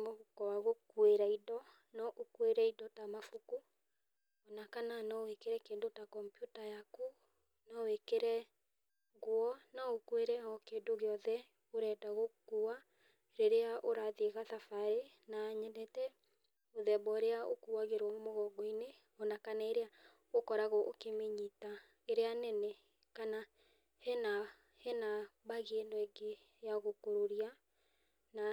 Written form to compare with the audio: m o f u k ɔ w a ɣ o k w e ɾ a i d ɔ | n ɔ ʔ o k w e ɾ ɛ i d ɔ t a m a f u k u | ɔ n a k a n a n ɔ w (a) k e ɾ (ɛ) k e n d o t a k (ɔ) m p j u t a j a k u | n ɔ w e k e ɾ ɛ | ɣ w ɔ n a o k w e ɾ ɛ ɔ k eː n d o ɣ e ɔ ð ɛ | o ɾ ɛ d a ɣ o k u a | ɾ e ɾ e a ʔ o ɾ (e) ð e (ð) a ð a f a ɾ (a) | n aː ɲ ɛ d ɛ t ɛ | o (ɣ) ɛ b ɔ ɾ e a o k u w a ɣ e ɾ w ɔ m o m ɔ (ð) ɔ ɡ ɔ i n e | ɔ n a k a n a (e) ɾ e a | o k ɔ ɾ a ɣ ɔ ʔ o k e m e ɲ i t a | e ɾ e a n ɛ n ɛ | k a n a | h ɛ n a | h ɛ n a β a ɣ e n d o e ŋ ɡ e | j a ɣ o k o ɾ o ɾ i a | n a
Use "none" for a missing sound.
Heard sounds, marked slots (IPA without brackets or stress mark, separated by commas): e, ɛ, ɔ, a, ɣ, e, ð, ɣ, e